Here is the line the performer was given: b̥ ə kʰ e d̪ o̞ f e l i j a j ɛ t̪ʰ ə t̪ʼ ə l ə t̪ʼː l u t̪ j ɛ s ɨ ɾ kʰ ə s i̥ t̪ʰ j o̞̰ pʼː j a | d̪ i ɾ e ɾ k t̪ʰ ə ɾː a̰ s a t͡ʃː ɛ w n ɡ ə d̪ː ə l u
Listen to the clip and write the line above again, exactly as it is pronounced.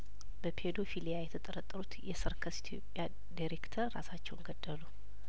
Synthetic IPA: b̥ ə pʰ e d̪ o̞ f i l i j a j ɛ t̪ʰ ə t̪ʼ ə ɾ ə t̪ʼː ɾ u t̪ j ɛ s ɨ ɾ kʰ ə s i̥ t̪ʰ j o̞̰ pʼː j a | d̪ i ɾ e k t̪ʰ ə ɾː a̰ s a t͡ʃː ɛ w n ɡ ə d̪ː ə l u